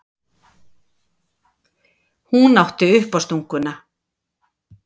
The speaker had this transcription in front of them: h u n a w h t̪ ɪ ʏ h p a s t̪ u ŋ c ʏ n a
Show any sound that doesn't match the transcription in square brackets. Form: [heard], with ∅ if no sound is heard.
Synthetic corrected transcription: h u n a w h t̪ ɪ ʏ h p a s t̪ u ŋ [k] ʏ n a